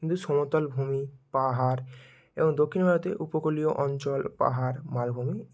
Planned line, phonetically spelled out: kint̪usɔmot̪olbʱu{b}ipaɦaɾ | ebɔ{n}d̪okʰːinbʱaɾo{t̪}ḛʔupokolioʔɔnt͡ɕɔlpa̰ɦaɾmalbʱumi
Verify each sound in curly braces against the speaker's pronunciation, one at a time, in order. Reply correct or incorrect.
incorrect, incorrect, correct

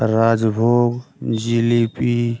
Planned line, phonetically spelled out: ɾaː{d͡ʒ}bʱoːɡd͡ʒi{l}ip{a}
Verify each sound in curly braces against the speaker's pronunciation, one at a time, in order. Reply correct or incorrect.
correct, correct, incorrect

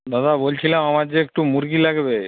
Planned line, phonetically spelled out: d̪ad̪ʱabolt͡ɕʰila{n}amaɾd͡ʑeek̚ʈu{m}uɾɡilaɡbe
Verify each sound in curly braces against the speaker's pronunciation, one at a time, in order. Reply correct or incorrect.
incorrect, correct

